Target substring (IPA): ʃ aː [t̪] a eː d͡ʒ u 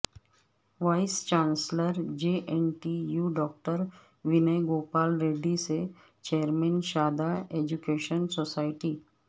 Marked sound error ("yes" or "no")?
yes